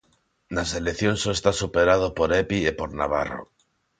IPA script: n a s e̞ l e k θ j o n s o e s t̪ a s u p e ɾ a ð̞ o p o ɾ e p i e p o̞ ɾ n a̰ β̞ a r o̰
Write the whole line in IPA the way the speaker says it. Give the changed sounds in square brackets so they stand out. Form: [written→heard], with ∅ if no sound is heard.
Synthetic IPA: n a s e̞ l e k θ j o n s o e s t̪ a s u p e ɾ a ð̞ o p o ɾ e p i e p o̞ ɾ n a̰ β̞ a r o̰